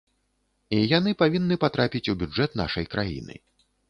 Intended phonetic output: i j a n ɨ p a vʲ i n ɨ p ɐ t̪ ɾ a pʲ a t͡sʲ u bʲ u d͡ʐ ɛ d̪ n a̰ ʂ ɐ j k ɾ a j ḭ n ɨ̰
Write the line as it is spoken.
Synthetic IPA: i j a n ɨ p a vʲ i nː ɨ p a t̪ ɾ a pʲ i t͡sʲ u bʲ u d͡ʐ ɛ t̪ n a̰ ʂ ɐ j k ɾ a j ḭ n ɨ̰

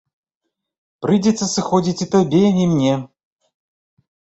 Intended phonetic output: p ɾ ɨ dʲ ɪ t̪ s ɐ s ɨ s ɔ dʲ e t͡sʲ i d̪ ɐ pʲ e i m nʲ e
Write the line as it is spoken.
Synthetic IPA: p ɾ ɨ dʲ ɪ t̪ s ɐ s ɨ x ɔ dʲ i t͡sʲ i t̪ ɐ bʲ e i m nʲ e

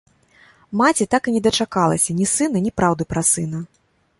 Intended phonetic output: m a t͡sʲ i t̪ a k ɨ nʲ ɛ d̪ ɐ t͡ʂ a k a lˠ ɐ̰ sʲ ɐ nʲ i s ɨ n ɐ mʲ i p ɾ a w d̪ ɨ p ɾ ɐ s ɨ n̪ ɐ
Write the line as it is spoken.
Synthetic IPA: m a t͡sʲ i t̪ a k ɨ nʲ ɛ d̪ ɐ t͡ʂ a k a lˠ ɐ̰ sʲ ɐ nʲ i s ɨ n ɐ nʲ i p ɾ a w d̪ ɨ p ɾ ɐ s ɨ n̪ ɐ

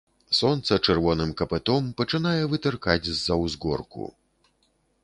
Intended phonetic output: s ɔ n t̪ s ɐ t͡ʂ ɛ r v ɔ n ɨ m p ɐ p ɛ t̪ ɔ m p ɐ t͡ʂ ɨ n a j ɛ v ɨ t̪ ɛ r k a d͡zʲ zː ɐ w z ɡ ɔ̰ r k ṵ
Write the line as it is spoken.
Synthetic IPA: s ɔ n t̪ s ɐ t͡ʂ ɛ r v ɔ n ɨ m k ɐ p ɛ t̪ ɔ m p ɐ t͡ʂ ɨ n a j ɛ v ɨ t̪ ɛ r k a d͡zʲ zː ɐ w z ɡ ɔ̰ r k ṵ

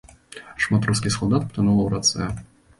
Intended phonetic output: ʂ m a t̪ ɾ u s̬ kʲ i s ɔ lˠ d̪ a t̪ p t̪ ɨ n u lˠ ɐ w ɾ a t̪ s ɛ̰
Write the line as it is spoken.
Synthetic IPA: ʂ m a t̪ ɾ u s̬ kʲ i s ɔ lˠ d̪ a t̪ p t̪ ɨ n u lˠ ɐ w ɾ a t̪ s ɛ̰

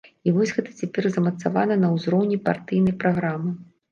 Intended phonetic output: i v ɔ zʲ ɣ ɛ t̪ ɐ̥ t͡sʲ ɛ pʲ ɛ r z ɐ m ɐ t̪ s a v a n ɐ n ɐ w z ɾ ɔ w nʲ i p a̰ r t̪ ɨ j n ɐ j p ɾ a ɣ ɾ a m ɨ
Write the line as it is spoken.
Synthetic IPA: i v ɔ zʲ ɣ ɛ t̪ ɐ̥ t͡sʲ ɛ pʲ ɛ r z ɐ m ɐ t̪ s a v a n ɐ n ɐ w z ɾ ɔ w nʲ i p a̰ r t̪ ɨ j n ɐ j p ɾ a ɣ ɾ a m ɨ

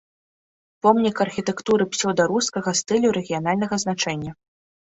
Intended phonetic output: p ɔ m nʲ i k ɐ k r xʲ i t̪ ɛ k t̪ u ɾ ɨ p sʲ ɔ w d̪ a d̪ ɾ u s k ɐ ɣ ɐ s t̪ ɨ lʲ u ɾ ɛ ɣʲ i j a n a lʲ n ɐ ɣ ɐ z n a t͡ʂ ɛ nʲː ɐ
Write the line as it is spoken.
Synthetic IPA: p ɔ m nʲ i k ɐ r xʲ i t̪ ɛ k t̪ u ɾ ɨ p sʲ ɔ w d̪ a ɾ u s k ɐ ɣ ɐ s t̪ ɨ lʲ u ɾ ɛ ɣʲ i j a n a lʲ n ɐ ɣ ɐ z n a t͡ʂ ɛ nʲː ɐ

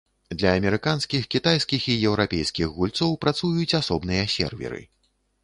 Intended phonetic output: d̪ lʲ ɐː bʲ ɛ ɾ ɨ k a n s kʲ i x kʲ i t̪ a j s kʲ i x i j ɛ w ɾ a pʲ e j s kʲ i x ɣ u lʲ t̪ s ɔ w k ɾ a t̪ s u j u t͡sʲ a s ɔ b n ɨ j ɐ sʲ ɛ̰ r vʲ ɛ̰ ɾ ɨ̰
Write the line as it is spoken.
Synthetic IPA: d̪ lʲ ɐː mʲ ɛ ɾ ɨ k a n s kʲ i x kʲ i t̪ a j s kʲ i x i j ɛ w ɾ a pʲ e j s kʲ i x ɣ u lʲ t̪ s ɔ w p ɾ a t̪ s u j u t͡sʲ a s ɔ b n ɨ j ɐ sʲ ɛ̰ r vʲ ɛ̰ ɾ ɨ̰

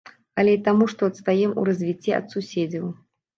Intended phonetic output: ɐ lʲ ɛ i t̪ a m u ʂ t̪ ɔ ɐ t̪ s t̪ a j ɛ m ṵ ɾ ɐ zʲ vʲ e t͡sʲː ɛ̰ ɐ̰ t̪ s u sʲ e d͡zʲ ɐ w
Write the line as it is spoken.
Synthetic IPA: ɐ lʲ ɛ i t̪ a m u ʂ t̪ ɔ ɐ t̪ s t̪ a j ɛ m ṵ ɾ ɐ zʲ vʲ i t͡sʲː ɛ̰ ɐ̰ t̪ s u sʲ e d͡zʲ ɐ w

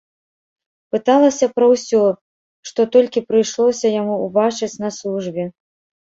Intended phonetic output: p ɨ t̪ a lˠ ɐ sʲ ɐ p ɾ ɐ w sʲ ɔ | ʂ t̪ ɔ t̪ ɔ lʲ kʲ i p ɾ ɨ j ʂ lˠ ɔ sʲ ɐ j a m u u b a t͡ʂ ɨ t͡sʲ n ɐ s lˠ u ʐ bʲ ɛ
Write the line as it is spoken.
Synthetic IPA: p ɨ t̪ a lˠ ɐ sʲ ɐ p ɾ ɐ w sʲ ɔ | ʂ t̪ ɔ t̪ ɔ lʲ kʲ i p ɾ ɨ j ʂ lˠ ɔ sʲ ɐ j a m u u b a t͡ʂ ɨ t͡sʲ n ɐ s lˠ u ʐ bʲ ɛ

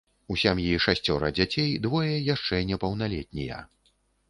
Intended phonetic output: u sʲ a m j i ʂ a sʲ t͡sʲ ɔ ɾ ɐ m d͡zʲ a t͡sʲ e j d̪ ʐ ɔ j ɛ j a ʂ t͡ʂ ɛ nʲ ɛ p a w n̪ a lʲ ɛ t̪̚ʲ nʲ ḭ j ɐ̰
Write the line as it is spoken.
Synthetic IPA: u sʲ a m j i ʂ a sʲ t͡sʲ ɔ ɾ ɐ d͡zʲ a t͡sʲ e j d̪ v ɔ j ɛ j a ʂ t͡ʂ ɛ nʲ ɛ p ɐ w n̪ a lʲ ɛ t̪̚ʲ nʲ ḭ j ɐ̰

